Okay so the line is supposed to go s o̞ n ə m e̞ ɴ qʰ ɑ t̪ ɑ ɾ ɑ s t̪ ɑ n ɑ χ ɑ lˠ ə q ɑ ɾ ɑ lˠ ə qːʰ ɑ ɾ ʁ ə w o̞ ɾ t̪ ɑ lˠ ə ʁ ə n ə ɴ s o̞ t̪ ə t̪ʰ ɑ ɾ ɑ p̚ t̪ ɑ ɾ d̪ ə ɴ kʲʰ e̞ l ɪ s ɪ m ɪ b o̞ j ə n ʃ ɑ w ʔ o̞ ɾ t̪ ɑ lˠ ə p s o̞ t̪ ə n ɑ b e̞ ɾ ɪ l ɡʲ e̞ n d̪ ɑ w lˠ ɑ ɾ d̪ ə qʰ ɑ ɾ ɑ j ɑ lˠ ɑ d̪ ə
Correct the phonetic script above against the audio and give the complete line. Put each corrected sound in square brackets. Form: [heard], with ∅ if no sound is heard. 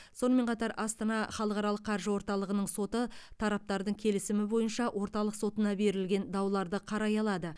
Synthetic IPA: s o̞ n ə m e̞ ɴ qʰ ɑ t̪ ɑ ɾ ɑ s t̪ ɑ n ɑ χ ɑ lˠ ə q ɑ ɾ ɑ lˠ ə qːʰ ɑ ɾ [ʒ] ə w o̞ ɾ t̪ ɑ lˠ ə ʁ ə n ə ɴ s o̞ t̪ ə t̪ʰ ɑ ɾ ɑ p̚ t̪ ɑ ɾ d̪ ə ɴ kʲʰ e̞ l ɪ s ɪ m ɪ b o̞ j ə n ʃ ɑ w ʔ o̞ ɾ t̪ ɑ lˠ ə [q] s o̞ t̪ ə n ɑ b e̞ ɾ ɪ l ɡʲ e̞ n d̪ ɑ w lˠ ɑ ɾ d̪ ə qʰ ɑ ɾ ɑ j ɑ lˠ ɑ d̪ ə